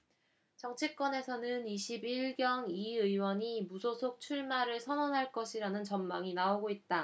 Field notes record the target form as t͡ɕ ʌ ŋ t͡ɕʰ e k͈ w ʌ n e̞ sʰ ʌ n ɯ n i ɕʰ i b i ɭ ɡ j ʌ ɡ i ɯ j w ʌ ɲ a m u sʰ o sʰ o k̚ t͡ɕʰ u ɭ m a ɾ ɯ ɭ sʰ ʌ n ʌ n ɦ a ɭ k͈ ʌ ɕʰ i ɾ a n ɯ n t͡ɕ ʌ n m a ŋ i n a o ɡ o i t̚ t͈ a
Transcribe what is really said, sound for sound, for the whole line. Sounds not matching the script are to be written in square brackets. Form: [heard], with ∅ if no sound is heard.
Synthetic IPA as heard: t͡ɕ ʌ ŋ t͡ɕʰ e k͈ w ʌ n e̞ sʰ ʌ n ɯ n i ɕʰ i b i ɭ ɡ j ʌ [ŋ] i ɯ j w ʌ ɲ [i] m u sʰ o sʰ o k̚ t͡ɕʰ u ɭ m a ɾ ɯ ɭ sʰ ʌ n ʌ n ɦ a ɭ k͈ ʌ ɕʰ i ɾ a n ɯ n t͡ɕ ʌ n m a ŋ i n a o ɡ o i t̚ t͈ a